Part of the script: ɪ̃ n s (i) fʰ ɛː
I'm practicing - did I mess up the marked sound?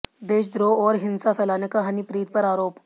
yes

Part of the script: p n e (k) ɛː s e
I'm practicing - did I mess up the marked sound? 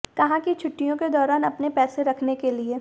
yes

